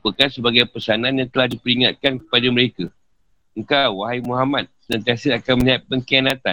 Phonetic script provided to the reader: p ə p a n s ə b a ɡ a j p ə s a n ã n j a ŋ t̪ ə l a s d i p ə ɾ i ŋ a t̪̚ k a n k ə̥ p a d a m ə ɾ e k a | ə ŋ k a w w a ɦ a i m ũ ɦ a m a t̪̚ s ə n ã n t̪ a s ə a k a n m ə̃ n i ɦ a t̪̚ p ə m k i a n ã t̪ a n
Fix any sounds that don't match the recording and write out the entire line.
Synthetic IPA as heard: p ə k a n s ə b a ɡ a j p ə s a n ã n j a ŋ t̪ ə l a h d i p ə ɾ i ŋ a t̪̚ k a n k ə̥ p a d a m ə ɾ e k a | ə ŋ k a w w a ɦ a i m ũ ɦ a m a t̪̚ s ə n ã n t̪ a s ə a k a n m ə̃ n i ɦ a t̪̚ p ə ŋ k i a n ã t̪ a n